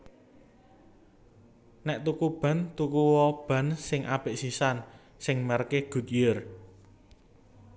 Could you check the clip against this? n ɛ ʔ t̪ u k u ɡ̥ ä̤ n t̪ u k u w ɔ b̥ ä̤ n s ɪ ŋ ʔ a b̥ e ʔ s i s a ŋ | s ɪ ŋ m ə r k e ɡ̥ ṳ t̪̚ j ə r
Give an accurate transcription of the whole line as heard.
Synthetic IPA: n ɛ ʔ t̪ u k u b̥ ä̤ n t̪ u k u w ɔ b̥ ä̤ n s ɪ ŋ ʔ a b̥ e ʔ s i s a n | s ɪ ŋ m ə r k e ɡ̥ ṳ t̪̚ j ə r